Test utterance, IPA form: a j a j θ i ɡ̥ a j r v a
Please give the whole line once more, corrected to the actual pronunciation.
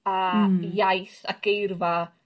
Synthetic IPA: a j a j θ a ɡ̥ e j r v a